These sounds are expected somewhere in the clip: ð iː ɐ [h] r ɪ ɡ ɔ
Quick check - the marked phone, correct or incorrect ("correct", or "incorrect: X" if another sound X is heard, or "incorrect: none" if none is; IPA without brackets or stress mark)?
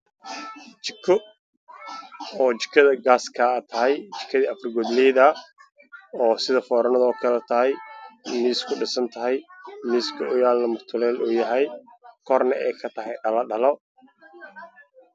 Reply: incorrect: f